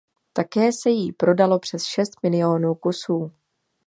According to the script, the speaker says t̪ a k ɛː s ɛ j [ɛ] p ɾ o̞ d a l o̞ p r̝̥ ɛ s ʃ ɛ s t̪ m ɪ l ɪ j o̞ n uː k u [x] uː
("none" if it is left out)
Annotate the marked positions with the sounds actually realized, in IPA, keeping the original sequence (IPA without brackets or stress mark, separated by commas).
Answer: i, s